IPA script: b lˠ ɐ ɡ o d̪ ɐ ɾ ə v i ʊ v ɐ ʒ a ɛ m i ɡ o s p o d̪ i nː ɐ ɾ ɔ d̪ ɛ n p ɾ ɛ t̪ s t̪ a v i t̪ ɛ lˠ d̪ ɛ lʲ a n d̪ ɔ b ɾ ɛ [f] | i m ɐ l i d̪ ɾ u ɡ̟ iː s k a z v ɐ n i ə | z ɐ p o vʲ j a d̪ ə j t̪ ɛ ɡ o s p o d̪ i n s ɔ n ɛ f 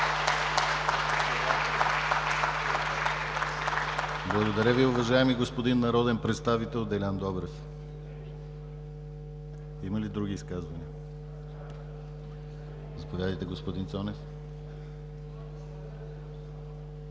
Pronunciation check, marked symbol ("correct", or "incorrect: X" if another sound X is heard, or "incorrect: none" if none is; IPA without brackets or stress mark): correct